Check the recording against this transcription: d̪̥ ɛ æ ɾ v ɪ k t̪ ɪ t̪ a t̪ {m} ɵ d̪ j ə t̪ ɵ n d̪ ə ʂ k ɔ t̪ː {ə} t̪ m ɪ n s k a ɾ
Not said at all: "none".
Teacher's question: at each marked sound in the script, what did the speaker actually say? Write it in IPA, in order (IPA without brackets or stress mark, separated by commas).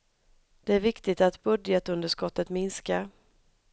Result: b, ə